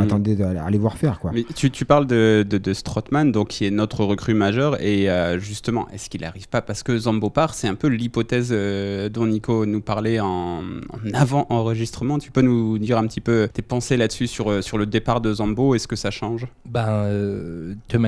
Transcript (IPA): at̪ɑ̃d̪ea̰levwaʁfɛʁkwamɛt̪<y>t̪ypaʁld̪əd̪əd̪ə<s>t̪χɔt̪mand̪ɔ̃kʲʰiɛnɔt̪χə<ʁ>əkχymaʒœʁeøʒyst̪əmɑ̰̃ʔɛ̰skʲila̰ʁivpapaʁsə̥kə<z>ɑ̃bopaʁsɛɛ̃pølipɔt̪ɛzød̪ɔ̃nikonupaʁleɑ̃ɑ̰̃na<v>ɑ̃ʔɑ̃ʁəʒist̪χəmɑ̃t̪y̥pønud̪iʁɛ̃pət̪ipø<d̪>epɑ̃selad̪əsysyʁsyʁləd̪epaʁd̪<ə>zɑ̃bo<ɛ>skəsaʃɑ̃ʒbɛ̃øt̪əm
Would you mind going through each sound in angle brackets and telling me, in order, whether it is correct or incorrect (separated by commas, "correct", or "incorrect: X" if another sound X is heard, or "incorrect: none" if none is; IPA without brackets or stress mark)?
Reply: correct, correct, correct, correct, correct, incorrect: t̪, correct, correct